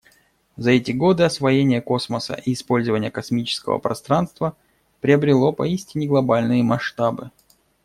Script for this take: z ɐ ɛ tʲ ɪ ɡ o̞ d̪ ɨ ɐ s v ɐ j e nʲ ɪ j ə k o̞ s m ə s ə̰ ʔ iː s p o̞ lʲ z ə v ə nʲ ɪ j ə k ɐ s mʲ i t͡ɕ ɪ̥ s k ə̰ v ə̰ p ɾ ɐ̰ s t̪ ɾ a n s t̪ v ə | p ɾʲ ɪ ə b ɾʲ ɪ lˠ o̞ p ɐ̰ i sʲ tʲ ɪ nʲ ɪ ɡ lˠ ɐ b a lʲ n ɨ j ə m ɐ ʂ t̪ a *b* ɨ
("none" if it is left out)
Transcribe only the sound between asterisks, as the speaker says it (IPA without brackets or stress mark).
b